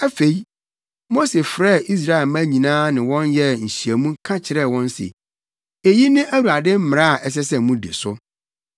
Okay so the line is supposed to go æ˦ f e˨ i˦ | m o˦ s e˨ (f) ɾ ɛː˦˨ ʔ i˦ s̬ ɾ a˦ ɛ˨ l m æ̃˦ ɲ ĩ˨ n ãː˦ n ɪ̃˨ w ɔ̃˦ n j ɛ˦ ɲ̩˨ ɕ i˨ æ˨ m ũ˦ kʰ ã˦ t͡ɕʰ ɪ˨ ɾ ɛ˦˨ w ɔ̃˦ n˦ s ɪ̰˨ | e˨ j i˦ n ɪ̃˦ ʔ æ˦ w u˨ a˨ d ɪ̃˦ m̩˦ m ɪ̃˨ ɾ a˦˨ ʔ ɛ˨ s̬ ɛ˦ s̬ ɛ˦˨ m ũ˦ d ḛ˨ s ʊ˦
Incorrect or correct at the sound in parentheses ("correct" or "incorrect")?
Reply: correct